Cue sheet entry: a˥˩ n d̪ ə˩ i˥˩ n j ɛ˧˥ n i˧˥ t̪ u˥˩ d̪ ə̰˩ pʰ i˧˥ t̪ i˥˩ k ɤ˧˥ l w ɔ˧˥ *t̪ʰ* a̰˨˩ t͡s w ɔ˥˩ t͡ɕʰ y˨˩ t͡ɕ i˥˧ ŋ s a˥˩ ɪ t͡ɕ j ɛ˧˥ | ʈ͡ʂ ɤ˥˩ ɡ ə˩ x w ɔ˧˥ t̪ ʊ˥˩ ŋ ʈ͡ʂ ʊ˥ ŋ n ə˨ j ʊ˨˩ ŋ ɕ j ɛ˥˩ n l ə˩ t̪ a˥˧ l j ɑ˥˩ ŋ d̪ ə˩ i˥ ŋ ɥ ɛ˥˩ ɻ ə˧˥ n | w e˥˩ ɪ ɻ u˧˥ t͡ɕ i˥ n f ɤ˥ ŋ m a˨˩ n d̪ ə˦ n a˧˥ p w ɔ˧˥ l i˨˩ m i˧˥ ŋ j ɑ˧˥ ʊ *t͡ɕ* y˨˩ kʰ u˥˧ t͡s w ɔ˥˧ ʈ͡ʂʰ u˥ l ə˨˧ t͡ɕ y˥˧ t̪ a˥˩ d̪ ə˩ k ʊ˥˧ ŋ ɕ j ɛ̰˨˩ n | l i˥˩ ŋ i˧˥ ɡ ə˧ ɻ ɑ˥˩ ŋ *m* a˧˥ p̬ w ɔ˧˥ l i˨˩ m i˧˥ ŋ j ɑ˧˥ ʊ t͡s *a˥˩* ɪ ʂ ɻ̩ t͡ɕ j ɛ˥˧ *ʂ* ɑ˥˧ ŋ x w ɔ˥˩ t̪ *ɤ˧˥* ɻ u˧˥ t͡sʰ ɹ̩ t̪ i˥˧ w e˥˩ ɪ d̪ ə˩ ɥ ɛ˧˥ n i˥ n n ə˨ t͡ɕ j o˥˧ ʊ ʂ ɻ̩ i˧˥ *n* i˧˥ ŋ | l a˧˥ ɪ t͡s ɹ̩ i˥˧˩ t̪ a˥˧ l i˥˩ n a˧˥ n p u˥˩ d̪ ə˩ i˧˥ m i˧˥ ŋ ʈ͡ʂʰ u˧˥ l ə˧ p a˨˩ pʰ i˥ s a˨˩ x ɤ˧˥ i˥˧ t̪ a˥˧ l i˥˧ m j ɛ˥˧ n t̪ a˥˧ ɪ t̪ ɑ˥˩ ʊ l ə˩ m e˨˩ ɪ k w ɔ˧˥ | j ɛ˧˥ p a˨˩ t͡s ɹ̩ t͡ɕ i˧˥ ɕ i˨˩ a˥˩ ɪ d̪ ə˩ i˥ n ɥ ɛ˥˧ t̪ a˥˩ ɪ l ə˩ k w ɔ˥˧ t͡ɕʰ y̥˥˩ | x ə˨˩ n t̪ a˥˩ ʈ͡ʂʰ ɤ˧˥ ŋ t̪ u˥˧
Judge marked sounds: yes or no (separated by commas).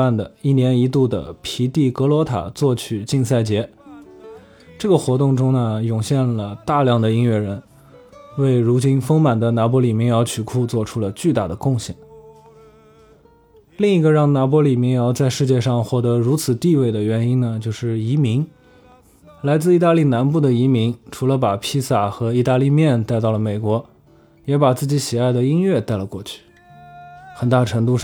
yes, no, no, no, yes, yes, no